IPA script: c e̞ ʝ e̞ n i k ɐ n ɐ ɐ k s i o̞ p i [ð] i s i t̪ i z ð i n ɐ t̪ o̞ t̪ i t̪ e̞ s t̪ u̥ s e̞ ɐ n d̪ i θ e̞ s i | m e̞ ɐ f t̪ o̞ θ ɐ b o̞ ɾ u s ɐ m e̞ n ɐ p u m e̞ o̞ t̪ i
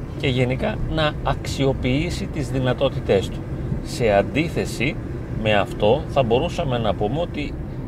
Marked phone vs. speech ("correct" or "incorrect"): incorrect